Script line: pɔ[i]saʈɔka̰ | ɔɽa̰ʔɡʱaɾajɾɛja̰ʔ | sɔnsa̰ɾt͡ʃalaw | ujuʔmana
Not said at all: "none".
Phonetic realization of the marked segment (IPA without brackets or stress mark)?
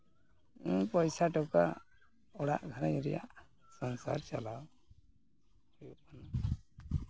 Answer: j